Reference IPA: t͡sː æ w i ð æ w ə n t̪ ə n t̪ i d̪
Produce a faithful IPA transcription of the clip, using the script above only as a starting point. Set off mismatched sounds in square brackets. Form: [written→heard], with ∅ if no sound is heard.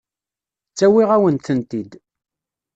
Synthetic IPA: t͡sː æ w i [ð→ʁ] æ w ə n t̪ ə n t̪ i d̪

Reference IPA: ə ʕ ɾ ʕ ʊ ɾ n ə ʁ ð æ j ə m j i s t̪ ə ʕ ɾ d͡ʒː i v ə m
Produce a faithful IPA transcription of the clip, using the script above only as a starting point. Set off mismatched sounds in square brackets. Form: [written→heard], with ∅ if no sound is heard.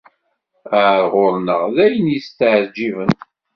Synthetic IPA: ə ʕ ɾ [ʕ→ʁ] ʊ ɾ n ə ʁ ð æ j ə [m→n] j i s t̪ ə ʕ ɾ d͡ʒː i v ə [m→n]

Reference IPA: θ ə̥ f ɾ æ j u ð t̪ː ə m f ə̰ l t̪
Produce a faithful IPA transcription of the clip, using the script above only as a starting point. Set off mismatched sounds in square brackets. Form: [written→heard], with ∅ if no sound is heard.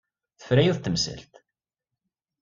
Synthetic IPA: θ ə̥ f ɾ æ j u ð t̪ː ə m [f→s] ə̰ l t̪

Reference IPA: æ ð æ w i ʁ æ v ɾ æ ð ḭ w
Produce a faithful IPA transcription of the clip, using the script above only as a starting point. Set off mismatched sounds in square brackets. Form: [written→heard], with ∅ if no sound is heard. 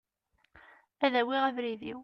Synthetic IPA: æ ð æ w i ʁ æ v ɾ [æ→i] ð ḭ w

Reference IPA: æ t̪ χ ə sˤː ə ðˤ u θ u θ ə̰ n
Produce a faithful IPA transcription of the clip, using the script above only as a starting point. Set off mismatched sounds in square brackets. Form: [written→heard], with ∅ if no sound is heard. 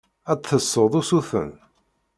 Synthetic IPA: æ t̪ [χ→θ] ə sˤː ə ðˤ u [θ→s] u θ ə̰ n

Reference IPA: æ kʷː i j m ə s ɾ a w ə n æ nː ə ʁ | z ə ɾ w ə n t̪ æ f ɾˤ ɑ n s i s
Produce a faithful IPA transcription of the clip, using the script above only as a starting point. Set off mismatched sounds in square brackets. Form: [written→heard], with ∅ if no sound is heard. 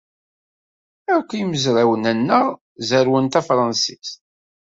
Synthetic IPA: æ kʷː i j m ə [s→z] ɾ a w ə n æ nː ə ʁ | z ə ɾ w ə n t̪ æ f ɾˤ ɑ n s i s

